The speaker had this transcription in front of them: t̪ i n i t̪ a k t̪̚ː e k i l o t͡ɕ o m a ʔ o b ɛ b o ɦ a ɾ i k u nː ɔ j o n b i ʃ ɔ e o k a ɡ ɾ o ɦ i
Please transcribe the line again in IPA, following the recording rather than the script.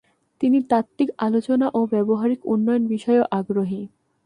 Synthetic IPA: t̪ i n i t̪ a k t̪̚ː i k a l o t͡ɕ o n a ʔ o b ɛ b o ɦ a ɾ i k u nː ɔ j o n b i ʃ ɔ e o ʔ a ɡ ɾ o ɦ i

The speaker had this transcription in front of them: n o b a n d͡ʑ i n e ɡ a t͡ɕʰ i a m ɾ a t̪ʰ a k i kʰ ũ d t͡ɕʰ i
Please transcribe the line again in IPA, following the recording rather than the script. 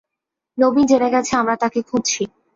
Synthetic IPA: n o b i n d͡ʑ e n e ɡ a t͡ɕʰ e a m ɾ a t̪ a k e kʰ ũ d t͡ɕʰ i

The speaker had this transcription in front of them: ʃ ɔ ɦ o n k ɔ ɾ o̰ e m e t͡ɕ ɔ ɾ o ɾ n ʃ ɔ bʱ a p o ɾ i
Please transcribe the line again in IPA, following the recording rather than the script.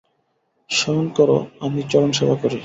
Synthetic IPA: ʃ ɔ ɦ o n k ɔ ɾ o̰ a m i t͡ɕ ɔ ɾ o n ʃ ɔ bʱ a k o ɾ i

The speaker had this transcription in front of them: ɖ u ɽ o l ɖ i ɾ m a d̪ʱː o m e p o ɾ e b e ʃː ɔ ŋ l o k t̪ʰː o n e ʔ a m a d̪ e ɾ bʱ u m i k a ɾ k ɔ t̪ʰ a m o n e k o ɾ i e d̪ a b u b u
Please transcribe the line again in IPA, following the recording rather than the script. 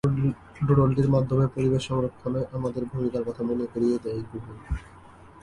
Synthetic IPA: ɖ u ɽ o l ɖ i ɾ m a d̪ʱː o m e p o ɾ i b e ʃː ɔ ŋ ɾ o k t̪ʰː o n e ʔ a m a d̪ e ɾ bʱ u m i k a ɾ k ɔ t̪ʰ a m o n e k o ɾ i e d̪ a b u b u

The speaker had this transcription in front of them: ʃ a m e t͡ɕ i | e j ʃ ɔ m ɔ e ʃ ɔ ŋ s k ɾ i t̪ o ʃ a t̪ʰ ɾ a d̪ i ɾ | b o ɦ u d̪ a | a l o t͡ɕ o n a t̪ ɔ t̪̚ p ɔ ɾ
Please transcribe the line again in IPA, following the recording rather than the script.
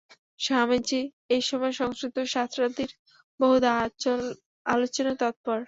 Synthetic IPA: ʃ a m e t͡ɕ i | e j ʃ ɔ m ɔ e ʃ ɔ ŋ s k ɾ i t̪ o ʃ a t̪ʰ ɾ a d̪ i ɾ | b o ɦ u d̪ a | a l o t͡ɕ o n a t̪ ɔ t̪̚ p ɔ ɾ

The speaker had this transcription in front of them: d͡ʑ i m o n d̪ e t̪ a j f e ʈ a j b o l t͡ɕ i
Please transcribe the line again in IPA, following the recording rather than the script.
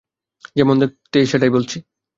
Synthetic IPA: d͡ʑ e m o n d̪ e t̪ e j ʃ e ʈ a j b o l t͡ɕʰ i

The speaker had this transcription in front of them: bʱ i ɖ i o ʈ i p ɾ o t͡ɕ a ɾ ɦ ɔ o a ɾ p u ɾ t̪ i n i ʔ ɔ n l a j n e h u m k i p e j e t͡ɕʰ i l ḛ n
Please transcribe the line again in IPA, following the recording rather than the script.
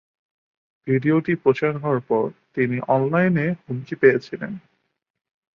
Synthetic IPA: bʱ i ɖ i o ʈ i p ɾ o t͡ɕ a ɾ ɦ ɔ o a ɾ p ɔ ɾ t̪ i n i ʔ ɔ n l a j n e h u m k i p e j e t͡ɕʰ i l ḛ n

